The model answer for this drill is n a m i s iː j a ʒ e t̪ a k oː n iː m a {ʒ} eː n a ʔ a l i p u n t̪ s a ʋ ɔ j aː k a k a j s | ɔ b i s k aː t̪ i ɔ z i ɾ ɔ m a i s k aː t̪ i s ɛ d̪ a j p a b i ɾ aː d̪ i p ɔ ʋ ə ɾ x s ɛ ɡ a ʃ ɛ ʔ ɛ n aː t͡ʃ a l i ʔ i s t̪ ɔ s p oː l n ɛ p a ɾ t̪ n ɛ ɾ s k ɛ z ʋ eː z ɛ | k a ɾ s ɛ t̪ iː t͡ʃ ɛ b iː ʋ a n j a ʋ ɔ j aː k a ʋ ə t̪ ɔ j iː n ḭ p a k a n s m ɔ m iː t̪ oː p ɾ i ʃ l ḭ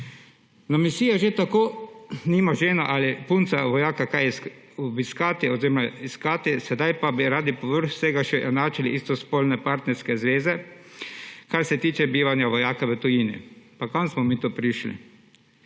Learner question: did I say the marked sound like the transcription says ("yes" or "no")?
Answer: yes